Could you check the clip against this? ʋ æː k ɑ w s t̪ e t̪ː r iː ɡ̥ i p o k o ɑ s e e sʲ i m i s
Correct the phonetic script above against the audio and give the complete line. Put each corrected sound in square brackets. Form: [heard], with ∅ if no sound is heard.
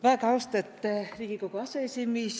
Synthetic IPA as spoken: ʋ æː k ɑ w s t̪ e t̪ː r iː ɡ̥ i [k] o k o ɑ s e e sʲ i m i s